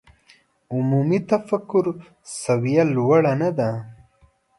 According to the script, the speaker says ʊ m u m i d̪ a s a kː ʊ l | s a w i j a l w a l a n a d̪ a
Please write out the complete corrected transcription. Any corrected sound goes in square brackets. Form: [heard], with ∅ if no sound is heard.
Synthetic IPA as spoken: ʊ m u m i [t̪] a [f] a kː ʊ [ɾ] | s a w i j a l w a [ɽ] a n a d̪ a